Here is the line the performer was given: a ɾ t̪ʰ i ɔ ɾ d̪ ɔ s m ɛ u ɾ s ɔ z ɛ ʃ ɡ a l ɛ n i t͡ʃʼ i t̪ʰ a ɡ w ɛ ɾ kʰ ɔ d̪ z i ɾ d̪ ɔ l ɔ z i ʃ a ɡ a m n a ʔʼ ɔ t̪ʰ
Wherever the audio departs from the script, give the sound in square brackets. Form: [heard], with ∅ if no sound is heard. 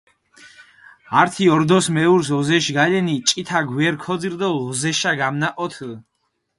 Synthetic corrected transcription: a ɾ t̪ʰ i ɔ ɾ d̪ ɔ s m ɛ u ɾ s ɔ z ɛ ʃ ɡ a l ɛ n i t͡ʃʼ i t̪ʰ a ɡ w ɛ ɾ kʰ ɔ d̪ z i ɾ d̪ ɔ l ɔ z [ɛ] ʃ a ɡ a m n a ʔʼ ɔ t̪ʰ